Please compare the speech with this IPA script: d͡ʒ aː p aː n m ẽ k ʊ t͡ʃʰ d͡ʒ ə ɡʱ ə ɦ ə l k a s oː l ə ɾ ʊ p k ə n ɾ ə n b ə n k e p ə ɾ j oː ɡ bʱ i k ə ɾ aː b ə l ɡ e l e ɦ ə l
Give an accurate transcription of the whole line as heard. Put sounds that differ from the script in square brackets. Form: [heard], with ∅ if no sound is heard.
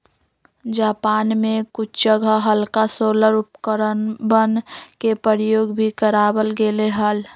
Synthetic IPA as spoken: d͡ʒ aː p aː n m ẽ k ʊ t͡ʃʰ d͡ʒ ə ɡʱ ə ɦ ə l k a s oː l ə ɾ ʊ p k ə [∅] ɾ ə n b ə n k e p ə ɾ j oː ɡ bʱ i k ə ɾ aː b ə l ɡ e l e ɦ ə l